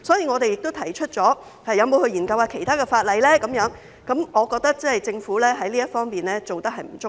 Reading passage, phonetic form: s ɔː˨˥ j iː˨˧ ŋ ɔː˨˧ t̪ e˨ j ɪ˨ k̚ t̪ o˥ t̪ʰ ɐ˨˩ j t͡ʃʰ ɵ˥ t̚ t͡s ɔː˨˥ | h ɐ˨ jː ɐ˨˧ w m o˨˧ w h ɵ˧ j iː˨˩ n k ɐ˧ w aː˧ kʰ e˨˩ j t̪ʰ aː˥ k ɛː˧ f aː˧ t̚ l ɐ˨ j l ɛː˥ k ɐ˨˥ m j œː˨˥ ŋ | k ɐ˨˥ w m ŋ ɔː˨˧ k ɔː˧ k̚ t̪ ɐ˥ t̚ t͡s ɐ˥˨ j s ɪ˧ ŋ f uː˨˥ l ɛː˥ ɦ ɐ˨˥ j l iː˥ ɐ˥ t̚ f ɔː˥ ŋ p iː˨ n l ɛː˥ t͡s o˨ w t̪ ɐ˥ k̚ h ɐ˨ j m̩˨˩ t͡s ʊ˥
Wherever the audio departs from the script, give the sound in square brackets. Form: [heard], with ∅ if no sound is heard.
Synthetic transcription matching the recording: s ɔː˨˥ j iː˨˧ ŋ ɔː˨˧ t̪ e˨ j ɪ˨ k̚ t̪ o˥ t̪ʰ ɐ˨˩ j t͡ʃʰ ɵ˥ t̚ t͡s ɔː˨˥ | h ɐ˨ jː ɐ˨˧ w m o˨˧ w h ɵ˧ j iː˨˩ n k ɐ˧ w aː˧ kʰ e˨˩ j t̪ʰ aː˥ k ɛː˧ f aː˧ t̚ l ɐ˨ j l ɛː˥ k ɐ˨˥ m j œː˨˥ ŋ | k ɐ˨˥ [∅] m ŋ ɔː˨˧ k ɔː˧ k̚ t̪ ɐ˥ [k̚] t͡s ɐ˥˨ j [t͡s] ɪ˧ ŋ f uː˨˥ l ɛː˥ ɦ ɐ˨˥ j l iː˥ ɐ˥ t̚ f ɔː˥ ŋ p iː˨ n l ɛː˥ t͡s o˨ w t̪ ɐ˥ k̚ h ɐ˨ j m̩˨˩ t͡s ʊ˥